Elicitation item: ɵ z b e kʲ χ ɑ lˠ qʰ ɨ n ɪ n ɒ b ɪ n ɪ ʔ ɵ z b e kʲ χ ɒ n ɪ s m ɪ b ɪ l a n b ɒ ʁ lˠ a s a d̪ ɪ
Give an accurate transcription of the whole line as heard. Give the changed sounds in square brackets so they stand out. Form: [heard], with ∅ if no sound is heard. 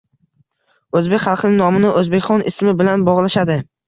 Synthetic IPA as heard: ɵ z b e kʲ χ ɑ lˠ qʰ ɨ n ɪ n ɒ [m] ɪ n ɪ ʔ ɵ z b e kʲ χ ɒ n ɪ s m ɪ b ɪ l a n b ɒ ʁ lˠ a [ʃ] a d̪ ɪ